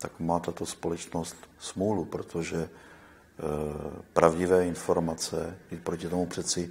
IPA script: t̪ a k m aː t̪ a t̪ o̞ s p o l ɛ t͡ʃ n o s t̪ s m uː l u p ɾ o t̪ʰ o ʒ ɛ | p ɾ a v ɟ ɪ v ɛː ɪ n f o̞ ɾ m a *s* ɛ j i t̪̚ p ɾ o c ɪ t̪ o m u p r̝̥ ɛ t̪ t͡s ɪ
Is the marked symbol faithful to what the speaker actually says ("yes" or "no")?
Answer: no